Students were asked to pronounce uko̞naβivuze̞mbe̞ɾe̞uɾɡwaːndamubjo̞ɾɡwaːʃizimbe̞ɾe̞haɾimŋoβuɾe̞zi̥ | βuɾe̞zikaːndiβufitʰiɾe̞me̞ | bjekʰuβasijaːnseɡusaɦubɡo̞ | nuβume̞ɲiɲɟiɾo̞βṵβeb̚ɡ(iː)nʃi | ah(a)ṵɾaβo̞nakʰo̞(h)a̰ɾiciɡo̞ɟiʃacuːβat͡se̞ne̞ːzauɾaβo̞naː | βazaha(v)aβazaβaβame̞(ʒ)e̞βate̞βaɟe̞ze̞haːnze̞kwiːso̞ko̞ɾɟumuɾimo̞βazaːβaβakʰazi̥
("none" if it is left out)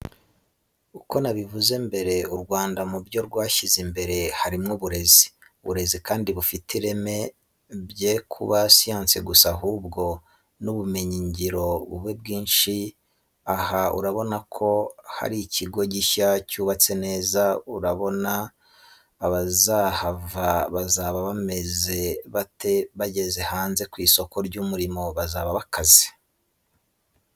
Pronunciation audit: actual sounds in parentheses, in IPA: iː, a, h, v, z

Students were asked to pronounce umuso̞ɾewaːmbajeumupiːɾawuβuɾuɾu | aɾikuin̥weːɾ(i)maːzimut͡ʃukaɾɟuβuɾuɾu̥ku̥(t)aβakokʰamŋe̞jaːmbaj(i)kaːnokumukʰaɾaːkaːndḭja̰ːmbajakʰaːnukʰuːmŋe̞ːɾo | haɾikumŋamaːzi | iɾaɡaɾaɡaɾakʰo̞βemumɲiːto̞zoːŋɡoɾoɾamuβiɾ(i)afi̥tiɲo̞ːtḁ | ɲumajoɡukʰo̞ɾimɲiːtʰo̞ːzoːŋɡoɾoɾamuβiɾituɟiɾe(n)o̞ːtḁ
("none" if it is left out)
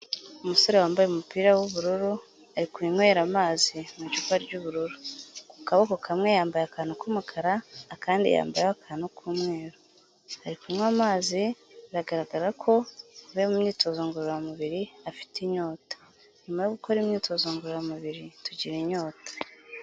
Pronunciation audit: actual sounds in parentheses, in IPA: a, k, a, i, ɲ

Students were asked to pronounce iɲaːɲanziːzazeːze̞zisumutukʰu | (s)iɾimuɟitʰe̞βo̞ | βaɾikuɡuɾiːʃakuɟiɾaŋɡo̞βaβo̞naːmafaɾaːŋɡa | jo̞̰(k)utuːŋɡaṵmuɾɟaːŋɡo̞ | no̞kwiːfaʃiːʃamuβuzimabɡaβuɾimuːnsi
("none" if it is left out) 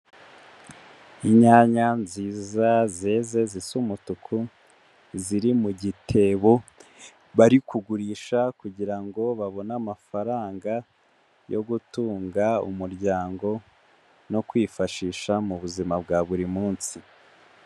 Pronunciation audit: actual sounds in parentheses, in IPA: z, ɡ

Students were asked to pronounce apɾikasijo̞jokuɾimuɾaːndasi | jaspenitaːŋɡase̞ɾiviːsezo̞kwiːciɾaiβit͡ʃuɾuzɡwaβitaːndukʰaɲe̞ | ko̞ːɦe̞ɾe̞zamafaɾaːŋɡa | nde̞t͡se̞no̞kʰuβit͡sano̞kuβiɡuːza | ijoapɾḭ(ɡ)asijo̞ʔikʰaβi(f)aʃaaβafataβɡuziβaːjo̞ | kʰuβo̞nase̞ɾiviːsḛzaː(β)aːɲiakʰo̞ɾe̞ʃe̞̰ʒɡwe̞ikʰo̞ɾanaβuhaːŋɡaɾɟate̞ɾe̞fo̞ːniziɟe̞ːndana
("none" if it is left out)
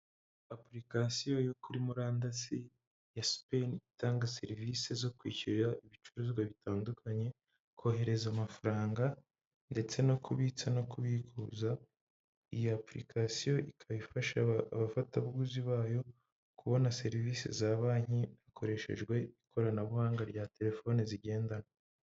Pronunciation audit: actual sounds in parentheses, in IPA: k, f, β

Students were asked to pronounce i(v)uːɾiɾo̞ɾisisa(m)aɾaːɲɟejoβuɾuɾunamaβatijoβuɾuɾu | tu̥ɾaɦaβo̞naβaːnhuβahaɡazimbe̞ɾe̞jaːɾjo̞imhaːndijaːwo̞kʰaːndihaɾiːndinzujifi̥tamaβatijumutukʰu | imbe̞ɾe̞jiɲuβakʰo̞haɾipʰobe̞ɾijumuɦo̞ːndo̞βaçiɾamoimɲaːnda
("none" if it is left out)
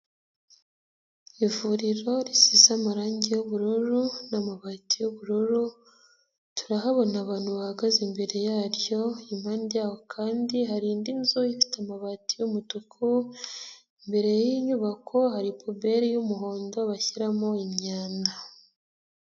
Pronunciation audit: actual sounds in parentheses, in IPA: v, m

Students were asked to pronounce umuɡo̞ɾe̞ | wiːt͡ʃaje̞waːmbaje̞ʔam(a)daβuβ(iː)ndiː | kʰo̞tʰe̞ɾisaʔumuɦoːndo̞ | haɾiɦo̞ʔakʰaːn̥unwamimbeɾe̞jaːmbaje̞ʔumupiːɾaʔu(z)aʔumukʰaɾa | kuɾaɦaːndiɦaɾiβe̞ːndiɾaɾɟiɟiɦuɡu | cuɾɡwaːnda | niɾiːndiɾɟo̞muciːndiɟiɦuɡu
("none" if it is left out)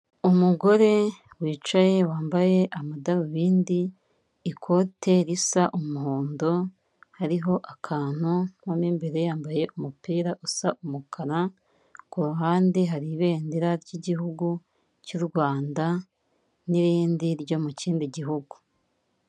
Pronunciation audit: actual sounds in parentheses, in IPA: a, iː, s

